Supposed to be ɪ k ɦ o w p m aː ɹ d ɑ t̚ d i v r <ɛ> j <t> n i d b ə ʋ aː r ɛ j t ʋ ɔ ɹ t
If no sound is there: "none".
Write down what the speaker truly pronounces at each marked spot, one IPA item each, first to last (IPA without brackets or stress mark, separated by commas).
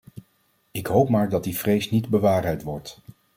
e, s